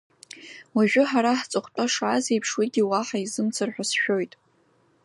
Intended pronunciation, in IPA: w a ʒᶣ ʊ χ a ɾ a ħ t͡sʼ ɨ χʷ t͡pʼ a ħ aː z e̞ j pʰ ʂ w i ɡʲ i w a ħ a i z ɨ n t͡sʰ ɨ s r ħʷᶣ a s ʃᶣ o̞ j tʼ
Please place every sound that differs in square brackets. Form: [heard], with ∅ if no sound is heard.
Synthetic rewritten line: w a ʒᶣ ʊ [ħ] a ɾ a ħ t͡sʼ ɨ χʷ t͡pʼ a [ʂ] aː z e̞ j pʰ ʂ w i ɡʲ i w a ħ a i z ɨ [m] t͡sʰ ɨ [∅] r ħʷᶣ a s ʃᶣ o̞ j tʼ

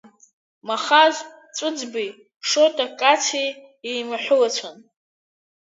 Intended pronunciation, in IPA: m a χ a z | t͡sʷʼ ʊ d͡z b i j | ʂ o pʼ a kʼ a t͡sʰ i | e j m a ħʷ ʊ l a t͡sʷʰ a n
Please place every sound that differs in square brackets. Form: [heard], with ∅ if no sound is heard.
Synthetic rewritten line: m a χ a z | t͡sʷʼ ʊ d͡z b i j | ʂ o [tʼ] a kʼ a t͡sʰ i | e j m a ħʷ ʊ l a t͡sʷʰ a n

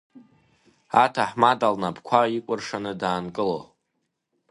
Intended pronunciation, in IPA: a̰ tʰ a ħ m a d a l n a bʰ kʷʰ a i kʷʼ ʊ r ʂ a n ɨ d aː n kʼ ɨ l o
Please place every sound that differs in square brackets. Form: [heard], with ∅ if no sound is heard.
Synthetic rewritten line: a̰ tʰ a ħ m a d a l n a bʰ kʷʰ a i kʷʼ ʊ r ʂ a n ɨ d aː n kʼ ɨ l o

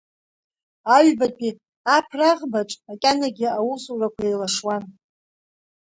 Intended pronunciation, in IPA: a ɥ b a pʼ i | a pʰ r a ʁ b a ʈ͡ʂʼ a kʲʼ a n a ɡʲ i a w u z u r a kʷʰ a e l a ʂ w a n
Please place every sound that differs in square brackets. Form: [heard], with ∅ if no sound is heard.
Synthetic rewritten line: a ɥ b a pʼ i | a pʰ r a ʁ b a ʈ͡ʂʼ a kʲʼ a n a ɡʲ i a w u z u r a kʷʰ a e l a ʂ w a n

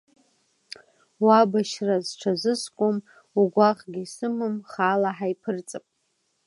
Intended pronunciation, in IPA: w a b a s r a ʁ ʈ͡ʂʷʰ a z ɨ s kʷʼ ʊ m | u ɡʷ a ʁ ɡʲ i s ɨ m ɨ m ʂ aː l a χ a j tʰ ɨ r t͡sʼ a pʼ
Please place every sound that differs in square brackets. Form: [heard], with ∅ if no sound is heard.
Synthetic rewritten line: w a b a [ʃ] r a [z] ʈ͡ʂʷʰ a z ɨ s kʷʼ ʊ m | u ɡʷ a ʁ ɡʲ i s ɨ m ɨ m [χ] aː l a [ħ] a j [pʰ] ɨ r t͡sʼ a pʼ

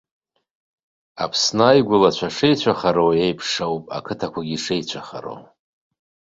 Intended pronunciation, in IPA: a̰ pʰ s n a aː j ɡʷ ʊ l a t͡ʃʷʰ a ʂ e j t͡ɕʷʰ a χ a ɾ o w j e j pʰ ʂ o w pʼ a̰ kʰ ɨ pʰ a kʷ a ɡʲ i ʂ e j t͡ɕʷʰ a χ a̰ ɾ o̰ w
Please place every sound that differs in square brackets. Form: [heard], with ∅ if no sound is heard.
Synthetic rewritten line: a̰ pʰ s n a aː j ɡʷ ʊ l a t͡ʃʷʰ a ʂ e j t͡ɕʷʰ a χ a ɾ o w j e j pʰ ʂ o w pʼ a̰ kʰ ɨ [tʰ] a kʷ a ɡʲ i ʂ e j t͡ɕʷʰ a χ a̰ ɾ o̰ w

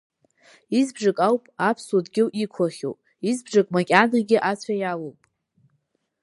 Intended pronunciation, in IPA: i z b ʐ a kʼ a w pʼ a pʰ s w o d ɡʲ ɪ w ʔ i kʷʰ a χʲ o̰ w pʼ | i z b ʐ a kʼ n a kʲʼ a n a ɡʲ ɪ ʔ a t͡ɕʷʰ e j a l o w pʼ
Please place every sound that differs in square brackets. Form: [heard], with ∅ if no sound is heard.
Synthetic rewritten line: i z b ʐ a kʼ a w pʼ a pʰ s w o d ɡʲ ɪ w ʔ i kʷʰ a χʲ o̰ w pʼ | i z b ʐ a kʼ [m] a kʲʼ a n a ɡʲ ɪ ʔ a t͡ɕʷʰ [a] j a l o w pʼ

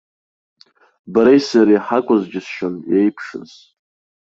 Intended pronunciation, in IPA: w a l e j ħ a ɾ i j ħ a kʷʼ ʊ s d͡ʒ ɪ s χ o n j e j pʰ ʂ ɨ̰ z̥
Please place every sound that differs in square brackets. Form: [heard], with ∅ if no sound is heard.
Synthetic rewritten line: [b] a [ɾ] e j [s] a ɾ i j ħ a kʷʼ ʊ [z] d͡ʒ ɪ s [ʃ] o n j e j pʰ ʂ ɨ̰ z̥

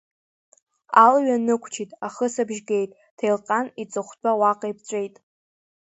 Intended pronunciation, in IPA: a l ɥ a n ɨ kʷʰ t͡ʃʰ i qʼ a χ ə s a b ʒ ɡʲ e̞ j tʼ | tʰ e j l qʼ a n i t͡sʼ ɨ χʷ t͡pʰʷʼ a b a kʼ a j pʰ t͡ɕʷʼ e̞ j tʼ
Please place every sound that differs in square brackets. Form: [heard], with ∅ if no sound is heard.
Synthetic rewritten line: a l ɥ a n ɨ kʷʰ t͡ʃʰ i [tʼ] a χ ə s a b ʒ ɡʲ e̞ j tʼ | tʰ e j l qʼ a n i t͡sʼ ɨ χʷ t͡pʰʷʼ a [w] a [qʼ] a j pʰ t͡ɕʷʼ e̞ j tʼ

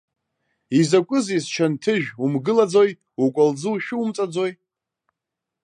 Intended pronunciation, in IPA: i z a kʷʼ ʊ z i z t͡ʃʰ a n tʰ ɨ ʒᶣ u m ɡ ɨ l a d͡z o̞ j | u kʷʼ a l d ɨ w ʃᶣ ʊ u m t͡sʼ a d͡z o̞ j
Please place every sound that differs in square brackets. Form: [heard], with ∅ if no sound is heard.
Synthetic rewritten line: i z a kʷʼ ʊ z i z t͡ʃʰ a n tʰ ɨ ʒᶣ u m ɡ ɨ l a d͡z o̞ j | u kʷʼ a l [d͡z] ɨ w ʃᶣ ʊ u m t͡sʼ a d͡z o̞ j

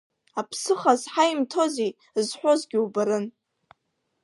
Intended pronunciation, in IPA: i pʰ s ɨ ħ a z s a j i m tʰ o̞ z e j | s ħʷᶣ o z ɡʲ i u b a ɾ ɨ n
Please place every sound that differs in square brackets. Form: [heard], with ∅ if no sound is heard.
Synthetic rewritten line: [a] pʰ s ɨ [χ] a z [ħ] a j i m tʰ o̞ z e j | [z] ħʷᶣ o z ɡʲ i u b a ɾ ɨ n

